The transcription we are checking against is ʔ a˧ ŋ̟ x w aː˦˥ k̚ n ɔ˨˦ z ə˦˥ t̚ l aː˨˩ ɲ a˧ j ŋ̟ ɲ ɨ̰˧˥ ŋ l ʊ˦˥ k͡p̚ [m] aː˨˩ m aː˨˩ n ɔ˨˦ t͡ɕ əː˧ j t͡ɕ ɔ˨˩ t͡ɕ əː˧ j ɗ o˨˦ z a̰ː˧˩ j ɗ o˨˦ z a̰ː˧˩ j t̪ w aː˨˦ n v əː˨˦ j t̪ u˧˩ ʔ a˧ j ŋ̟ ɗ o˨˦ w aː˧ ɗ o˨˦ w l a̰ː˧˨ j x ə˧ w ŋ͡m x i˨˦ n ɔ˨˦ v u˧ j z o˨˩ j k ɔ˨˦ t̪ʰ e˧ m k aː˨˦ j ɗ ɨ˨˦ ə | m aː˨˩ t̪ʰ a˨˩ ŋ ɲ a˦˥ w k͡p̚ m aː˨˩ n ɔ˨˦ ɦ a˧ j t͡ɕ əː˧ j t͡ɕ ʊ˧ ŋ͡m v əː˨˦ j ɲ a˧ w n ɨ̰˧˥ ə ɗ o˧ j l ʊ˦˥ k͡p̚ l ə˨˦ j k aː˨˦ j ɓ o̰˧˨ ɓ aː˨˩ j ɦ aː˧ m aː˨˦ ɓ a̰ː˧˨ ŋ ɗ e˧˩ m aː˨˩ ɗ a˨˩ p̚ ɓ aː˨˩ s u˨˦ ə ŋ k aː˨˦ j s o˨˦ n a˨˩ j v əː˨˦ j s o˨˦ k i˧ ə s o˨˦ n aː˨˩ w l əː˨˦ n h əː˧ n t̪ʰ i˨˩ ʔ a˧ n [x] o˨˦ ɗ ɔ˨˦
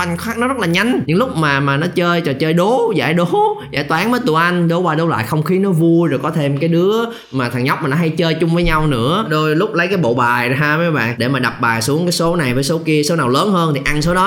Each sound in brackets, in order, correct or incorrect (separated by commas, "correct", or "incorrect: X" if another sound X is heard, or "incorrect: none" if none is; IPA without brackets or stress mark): correct, incorrect: s